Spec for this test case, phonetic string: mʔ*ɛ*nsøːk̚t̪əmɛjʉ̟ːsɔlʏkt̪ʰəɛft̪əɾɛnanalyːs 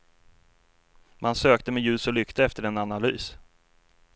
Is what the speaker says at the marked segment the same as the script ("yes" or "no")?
no